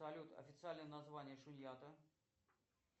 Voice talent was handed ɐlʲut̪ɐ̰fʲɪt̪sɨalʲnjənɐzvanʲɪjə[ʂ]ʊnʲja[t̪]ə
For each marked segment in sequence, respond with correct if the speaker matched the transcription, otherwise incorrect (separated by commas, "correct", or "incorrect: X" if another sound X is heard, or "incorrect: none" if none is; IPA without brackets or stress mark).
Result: correct, correct